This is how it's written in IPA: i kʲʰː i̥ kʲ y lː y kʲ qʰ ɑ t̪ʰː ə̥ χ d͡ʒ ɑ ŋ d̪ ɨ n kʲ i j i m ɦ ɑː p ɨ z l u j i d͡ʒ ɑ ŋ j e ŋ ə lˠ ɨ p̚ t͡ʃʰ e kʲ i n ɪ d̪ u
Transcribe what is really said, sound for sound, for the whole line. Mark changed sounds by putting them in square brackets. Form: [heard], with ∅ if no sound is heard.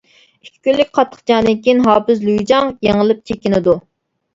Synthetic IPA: i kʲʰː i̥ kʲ y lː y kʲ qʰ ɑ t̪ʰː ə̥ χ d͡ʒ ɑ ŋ d̪ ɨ n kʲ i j i [n] ɦ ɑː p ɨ z l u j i d͡ʒ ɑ ŋ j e ŋ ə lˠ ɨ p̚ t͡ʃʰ e kʲ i n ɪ d̪ u

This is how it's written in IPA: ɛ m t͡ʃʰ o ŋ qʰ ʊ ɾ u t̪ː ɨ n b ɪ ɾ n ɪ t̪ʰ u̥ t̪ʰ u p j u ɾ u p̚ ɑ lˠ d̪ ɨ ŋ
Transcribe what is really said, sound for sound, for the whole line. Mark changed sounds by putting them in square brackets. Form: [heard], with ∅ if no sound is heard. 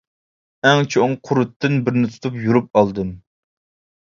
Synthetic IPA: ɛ [ŋ] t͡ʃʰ o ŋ qʰ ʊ ɾ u t̪ː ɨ n b ɪ ɾ n ɪ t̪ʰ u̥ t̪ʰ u p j u ɾ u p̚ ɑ lˠ d̪ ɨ [m]

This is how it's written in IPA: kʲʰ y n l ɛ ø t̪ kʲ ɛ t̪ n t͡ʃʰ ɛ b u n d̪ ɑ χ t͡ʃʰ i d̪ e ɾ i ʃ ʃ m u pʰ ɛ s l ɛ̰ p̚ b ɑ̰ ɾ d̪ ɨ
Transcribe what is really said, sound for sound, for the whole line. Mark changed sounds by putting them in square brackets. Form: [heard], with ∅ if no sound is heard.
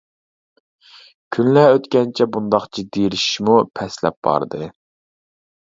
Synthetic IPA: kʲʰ y n l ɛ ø t̪ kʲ ɛ [∅] n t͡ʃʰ ɛ b u n d̪ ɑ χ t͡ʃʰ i d̪ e ɾ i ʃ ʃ m u pʰ ɛ s l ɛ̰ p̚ b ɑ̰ ɾ d̪ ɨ

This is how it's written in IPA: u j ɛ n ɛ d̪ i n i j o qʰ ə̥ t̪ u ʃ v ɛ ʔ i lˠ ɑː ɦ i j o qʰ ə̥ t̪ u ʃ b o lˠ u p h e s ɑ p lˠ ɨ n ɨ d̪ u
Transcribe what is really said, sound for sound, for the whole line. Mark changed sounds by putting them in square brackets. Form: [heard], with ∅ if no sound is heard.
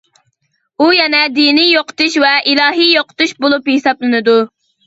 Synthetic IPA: u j ɛ n ɛ d̪ i n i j o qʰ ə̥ t̪ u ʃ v ɛ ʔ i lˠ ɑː ɦ i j o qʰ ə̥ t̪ u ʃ b o lˠ u p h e s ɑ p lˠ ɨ n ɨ d̪ u

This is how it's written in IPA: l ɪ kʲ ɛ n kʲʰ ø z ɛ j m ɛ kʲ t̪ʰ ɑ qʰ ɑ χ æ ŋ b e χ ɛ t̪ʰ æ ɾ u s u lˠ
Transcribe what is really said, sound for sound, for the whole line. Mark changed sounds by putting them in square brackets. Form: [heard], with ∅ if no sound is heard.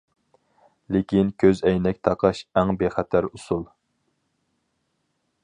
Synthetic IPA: l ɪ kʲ [i] n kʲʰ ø z ɛ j [n] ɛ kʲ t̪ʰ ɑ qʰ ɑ [ʃ] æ ŋ b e χ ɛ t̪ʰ æ ɾ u s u lˠ

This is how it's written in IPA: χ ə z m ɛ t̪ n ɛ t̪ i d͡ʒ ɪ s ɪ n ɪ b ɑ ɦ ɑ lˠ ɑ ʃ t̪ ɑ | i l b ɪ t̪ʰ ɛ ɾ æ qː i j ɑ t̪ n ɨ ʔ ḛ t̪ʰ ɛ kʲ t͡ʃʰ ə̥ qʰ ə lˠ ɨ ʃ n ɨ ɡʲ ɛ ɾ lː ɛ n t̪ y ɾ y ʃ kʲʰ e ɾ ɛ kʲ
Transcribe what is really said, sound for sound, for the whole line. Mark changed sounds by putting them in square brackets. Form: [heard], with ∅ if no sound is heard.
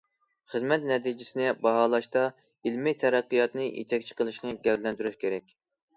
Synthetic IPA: χ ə z m ɛ t̪ n ɛ t̪ i d͡ʒ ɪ s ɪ n ɪ b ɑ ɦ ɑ lˠ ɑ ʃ t̪ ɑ | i l [m] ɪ t̪ʰ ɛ ɾ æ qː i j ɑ t̪ n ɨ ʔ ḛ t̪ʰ ɛ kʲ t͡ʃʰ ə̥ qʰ ə lˠ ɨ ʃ n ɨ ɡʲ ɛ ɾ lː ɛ n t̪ y ɾ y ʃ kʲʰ e ɾ ɛ kʲ

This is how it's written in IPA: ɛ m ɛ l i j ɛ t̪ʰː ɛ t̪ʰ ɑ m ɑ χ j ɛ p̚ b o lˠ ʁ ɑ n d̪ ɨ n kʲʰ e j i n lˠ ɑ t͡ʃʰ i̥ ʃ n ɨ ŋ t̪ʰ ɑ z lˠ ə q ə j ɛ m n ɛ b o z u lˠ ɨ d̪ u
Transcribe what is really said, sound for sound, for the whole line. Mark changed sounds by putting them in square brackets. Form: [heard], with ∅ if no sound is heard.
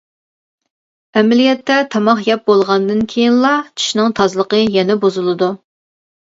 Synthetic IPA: ɛ m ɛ l i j ɛ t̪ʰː ɛ t̪ʰ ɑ m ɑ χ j ɛ p̚ b o lˠ ʁ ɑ n d̪ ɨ n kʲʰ e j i n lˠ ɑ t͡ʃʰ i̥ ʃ n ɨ ŋ t̪ʰ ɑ z lˠ ə q ə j ɛ [∅] n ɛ b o z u lˠ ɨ d̪ u

